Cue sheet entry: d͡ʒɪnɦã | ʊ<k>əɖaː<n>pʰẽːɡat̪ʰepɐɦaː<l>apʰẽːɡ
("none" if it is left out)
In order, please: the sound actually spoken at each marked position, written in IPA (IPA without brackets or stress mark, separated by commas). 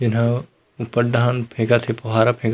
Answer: p, n, ɾ